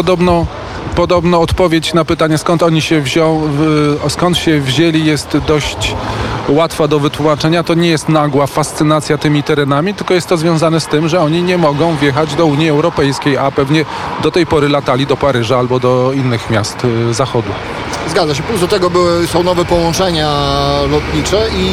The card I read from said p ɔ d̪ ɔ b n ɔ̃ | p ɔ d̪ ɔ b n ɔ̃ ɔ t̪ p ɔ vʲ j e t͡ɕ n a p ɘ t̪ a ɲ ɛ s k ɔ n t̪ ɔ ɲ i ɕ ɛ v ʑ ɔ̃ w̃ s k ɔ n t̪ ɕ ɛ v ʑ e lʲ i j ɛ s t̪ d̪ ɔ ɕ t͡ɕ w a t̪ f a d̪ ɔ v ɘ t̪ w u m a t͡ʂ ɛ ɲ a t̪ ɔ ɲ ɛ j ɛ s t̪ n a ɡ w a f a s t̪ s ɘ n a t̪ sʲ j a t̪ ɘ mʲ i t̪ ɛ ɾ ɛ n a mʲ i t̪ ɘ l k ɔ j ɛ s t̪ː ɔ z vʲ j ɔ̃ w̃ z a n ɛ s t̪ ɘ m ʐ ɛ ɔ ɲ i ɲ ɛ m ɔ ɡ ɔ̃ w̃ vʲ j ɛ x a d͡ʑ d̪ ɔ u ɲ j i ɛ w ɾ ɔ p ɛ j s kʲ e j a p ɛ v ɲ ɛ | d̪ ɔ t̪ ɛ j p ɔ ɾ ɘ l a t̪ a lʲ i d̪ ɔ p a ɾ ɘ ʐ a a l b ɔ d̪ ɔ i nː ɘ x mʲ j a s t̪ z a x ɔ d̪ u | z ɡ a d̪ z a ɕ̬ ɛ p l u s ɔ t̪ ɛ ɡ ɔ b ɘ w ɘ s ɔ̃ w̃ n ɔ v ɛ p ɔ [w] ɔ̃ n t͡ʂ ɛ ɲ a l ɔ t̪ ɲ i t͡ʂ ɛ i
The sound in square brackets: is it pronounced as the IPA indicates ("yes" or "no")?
yes